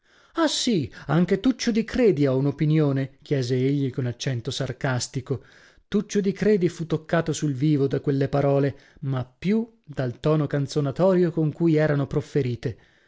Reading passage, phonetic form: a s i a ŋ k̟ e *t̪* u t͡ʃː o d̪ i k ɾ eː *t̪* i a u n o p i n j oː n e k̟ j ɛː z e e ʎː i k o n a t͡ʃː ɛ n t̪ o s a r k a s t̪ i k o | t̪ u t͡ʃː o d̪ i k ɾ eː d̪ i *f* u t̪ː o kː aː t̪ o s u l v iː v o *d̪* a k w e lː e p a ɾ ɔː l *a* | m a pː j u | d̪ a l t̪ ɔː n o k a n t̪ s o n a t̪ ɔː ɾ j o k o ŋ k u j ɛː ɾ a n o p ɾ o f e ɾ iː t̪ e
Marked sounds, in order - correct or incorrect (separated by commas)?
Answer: correct, incorrect, correct, correct, incorrect